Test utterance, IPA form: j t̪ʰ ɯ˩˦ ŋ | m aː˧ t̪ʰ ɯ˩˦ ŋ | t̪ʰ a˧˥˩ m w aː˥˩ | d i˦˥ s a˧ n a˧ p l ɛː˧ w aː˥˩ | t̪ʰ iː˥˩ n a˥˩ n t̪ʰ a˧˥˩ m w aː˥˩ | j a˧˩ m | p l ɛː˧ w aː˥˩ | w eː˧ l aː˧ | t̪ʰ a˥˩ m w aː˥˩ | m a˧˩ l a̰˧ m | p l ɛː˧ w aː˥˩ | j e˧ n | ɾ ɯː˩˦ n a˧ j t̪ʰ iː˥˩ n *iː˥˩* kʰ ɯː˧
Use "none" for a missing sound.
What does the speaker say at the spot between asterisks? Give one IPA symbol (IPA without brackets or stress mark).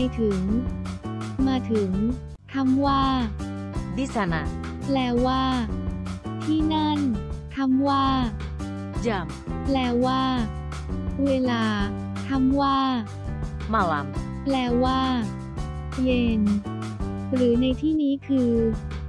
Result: iː˦˥